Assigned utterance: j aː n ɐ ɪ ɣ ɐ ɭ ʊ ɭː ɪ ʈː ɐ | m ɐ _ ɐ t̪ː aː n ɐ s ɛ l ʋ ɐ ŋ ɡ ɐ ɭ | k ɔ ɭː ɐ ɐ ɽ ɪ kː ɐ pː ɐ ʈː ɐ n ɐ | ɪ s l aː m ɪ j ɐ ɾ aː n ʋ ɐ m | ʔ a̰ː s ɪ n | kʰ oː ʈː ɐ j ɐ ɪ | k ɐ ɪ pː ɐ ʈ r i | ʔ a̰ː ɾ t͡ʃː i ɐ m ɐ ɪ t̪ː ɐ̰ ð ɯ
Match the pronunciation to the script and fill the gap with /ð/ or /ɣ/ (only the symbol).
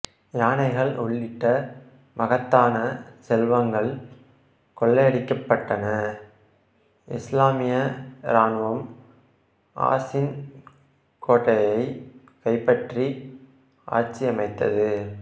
ɣ